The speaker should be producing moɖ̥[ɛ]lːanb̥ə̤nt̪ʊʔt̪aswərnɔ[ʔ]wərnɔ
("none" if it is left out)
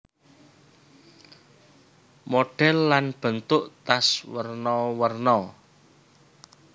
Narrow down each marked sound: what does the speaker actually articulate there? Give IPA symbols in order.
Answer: ɛ, none

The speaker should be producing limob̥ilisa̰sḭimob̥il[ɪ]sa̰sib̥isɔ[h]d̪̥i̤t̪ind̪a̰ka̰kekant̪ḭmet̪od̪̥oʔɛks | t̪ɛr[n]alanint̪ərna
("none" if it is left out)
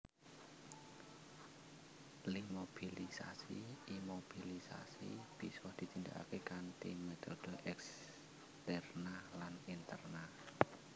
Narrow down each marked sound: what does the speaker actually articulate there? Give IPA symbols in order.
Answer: i, h, n

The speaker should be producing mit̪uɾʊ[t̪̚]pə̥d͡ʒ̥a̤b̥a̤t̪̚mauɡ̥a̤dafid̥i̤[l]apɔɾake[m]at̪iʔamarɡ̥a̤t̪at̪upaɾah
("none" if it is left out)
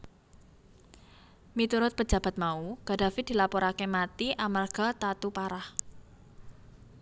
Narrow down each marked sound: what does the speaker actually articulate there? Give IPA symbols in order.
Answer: t̪̚, l, m

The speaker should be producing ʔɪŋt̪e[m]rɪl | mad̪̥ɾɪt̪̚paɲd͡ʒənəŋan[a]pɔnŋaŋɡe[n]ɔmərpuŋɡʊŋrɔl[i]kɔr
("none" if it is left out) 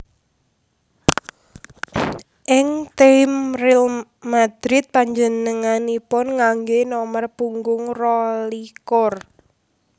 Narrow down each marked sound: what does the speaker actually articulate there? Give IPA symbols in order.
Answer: m, i, n, i

